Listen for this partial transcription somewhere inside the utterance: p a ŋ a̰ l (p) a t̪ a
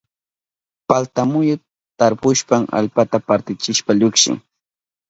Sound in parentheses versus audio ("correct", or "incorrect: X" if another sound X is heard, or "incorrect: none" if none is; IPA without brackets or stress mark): correct